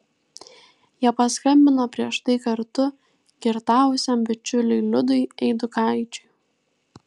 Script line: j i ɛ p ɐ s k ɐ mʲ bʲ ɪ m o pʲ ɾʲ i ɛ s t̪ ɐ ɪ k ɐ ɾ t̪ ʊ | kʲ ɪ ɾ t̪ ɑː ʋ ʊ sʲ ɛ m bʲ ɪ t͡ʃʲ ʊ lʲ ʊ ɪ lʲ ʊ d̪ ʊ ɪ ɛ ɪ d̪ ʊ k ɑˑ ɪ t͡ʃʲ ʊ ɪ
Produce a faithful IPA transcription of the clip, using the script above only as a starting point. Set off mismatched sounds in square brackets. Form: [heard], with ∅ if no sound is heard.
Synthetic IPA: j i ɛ p ɐ s k ɐ mʲ bʲ ɪ [n] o pʲ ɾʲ i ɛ [ʃ] t̪ ɐ ɪ k ɐ ɾ t̪ ʊ | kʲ ɪ ɾ t̪ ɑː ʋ ʊ sʲ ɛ m bʲ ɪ t͡ʃʲ ʊ lʲ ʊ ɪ lʲ ʊ d̪ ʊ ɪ ɛ ɪ d̪ ʊ k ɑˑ ɪ t͡ʃʲ ʊ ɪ

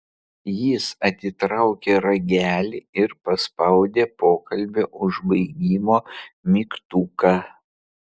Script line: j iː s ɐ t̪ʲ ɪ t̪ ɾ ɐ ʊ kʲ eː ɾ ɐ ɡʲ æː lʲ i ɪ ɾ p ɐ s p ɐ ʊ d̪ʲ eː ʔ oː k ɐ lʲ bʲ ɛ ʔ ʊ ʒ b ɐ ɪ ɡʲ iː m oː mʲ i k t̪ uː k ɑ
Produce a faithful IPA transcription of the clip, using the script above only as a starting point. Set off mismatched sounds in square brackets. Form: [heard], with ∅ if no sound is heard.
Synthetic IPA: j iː s ɐ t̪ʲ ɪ t̪ ɾ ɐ ʊ kʲ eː ɾ ɐ ɡʲ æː lʲ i ɪ ɾ p ɐ s p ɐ ʊ d̪ʲ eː [p] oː k ɐ lʲ bʲ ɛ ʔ ʊ ʒ b ɐ ɪ ɡʲ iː m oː mʲ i k t̪ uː k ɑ

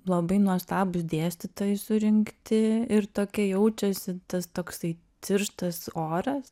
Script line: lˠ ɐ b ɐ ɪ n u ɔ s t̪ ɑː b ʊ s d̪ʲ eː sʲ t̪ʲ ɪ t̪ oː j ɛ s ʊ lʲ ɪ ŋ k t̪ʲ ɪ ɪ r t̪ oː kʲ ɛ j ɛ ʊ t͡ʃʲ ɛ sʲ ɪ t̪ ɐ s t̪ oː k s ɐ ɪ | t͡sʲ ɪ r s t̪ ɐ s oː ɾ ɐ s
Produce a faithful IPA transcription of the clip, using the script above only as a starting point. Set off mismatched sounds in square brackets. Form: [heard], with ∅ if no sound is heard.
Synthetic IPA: lˠ ɐ b ɐ ɪ n u ɔ s t̪ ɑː b ʊ s d̪ʲ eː sʲ t̪ʲ ɪ t̪ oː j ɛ s ʊ [ɾʲ] ɪ ŋ k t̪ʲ ɪ ɪ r t̪ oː kʲ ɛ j ɛ ʊ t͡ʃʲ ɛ sʲ ɪ t̪ ɐ s t̪ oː k s ɐ ɪ | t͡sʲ ɪ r [ʃ] t̪ ɐ s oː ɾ ɐ s

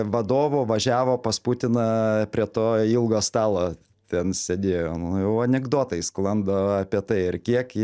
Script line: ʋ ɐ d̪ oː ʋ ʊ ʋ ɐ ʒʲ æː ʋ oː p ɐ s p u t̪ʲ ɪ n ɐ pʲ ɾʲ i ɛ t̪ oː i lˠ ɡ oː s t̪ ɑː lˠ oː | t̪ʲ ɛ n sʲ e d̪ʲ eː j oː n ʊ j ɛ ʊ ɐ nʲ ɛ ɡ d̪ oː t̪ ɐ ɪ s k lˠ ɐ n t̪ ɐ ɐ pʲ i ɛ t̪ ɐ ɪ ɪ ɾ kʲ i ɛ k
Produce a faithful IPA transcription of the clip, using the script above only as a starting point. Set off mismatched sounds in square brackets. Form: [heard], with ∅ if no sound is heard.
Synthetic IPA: ʋ ɐ d̪ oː ʋ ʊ ʋ ɐ ʒʲ æː ʋ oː p ɐ s p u t̪ʲ ɪ n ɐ pʲ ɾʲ i ɛ t̪ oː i lˠ ɡ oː s t̪ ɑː lˠ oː | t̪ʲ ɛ n sʲ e d̪ʲ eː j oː n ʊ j ɛ ʊ ɐ nʲ ɛ ɡ d̪ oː t̪ ɐ ɪ s k lˠ ɐ n [d̪] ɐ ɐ pʲ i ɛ t̪ ɐ ɪ ɪ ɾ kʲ i ɛ k

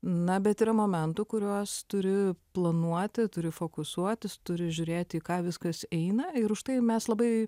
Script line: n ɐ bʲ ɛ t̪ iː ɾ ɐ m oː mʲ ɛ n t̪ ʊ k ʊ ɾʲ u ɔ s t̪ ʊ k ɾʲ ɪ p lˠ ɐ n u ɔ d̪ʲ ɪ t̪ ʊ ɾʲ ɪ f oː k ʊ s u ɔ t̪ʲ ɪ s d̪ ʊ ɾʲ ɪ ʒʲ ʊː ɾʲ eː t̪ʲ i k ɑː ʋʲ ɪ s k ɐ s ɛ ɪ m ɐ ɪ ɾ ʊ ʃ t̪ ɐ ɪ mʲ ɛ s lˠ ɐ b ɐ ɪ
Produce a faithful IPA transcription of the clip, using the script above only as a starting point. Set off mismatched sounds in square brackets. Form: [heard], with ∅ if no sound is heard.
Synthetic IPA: n ɐ bʲ ɛ t̪ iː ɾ ɐ m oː mʲ ɛ n t̪ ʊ k ʊ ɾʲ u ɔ s t̪ ʊ [∅] ɾʲ ɪ p lˠ ɐ n u ɔ [t̪ʲ] ɪ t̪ ʊ ɾʲ ɪ f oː k ʊ s u ɔ t̪ʲ ɪ s [t̪] ʊ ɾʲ ɪ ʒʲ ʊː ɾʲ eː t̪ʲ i k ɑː ʋʲ ɪ s k ɐ s ɛ ɪ [n] ɐ ɪ ɾ ʊ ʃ t̪ ɐ ɪ mʲ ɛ s lˠ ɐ b ɐ ɪ

